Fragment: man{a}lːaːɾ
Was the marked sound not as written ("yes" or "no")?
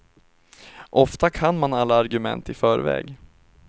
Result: no